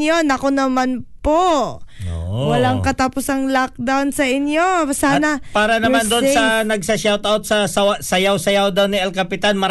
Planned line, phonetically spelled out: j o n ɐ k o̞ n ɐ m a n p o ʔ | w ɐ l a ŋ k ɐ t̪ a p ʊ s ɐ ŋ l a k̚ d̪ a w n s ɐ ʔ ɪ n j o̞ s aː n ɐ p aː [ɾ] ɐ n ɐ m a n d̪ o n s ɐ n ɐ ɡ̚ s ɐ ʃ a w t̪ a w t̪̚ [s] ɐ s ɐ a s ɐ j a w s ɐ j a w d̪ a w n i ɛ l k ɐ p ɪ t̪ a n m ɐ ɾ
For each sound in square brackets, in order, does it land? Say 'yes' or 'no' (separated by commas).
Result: yes, yes